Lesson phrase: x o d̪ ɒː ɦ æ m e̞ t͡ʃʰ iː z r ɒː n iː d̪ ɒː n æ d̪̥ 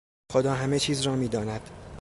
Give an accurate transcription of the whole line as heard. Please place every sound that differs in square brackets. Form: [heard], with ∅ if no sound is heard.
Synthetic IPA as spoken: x o d̪ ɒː ɦ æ m e̞ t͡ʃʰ iː z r ɒː [m] iː d̪ ɒː n æ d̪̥